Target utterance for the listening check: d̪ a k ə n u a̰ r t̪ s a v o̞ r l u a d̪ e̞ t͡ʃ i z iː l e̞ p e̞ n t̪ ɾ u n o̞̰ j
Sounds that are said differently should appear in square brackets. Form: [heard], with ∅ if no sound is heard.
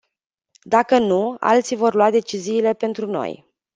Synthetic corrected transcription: d̪ a k ə n u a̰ [l] t̪ s [i] v o̞ r l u a d̪ e̞ t͡ʃ i z iː l e̞ p e̞ n t̪ ɾ u n o̞̰ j